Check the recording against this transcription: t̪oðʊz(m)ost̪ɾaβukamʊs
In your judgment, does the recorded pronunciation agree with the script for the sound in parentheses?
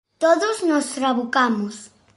no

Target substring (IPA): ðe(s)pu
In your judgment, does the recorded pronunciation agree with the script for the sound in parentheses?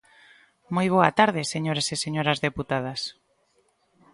no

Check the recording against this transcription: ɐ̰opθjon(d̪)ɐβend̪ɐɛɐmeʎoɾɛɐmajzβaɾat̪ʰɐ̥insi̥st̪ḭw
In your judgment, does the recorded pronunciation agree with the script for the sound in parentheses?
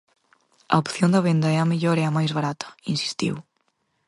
yes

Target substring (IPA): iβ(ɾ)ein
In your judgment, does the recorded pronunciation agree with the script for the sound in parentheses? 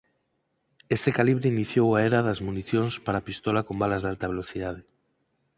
yes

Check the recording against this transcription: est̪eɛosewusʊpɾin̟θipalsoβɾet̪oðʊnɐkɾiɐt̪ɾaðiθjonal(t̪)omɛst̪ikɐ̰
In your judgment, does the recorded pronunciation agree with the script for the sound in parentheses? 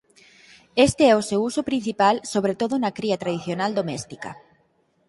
no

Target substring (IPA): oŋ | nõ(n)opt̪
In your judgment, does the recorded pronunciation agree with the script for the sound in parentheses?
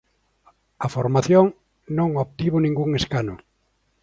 no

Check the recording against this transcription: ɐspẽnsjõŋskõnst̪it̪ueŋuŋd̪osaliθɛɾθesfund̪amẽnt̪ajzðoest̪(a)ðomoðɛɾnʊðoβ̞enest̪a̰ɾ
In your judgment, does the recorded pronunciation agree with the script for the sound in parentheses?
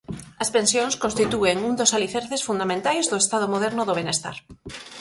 yes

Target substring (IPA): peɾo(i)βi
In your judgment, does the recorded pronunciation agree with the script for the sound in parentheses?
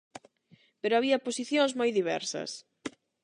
no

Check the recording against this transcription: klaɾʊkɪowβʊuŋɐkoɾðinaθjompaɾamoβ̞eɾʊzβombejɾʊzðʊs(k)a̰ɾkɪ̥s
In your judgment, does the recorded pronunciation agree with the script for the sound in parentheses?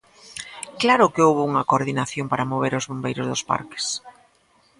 no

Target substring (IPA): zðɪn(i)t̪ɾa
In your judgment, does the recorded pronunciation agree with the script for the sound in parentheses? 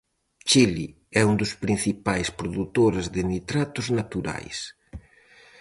yes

